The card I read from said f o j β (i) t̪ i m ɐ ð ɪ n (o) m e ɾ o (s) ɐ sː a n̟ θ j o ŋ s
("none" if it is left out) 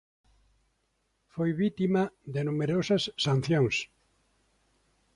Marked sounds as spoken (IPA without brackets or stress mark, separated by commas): i, u, s